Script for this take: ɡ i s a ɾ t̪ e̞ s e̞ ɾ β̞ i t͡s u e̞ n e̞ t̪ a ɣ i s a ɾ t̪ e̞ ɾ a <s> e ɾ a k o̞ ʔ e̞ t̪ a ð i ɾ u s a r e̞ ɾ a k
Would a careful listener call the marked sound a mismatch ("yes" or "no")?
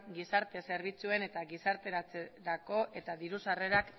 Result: yes